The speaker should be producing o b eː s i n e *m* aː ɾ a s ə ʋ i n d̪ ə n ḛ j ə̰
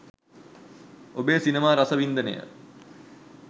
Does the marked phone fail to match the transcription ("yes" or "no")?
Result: no